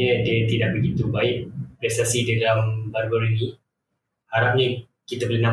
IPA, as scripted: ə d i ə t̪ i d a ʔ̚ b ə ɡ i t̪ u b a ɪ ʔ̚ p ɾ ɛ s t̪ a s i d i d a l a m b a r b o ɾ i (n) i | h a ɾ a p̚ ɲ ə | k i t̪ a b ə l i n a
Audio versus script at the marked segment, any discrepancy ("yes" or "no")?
no